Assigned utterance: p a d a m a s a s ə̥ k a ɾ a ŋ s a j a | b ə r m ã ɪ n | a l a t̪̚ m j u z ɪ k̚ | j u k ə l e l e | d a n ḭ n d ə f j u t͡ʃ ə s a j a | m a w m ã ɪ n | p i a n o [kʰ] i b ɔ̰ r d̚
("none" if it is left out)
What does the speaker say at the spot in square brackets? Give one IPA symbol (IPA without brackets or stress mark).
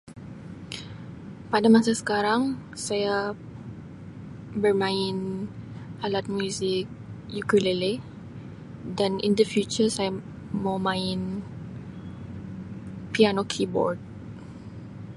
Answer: kʰ